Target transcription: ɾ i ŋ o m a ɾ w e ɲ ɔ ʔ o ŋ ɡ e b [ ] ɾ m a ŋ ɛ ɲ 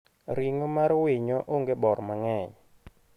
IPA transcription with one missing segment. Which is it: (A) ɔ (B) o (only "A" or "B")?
A